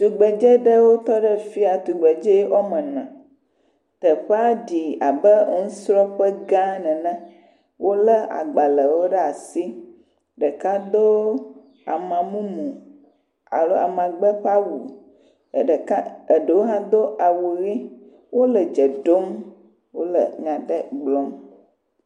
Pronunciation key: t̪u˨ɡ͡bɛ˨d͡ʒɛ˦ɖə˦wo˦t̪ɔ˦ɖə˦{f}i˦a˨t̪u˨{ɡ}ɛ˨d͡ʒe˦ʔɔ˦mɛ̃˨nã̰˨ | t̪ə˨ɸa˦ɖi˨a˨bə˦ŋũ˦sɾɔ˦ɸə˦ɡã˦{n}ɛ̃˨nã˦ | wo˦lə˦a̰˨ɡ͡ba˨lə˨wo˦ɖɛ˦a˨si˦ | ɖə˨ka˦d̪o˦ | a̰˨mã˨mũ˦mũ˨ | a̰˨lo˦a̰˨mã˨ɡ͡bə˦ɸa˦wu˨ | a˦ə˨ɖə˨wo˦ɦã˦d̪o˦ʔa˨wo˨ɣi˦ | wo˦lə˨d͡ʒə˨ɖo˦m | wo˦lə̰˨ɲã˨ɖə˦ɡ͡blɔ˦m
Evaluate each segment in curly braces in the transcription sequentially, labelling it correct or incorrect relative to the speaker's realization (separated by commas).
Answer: correct, incorrect, correct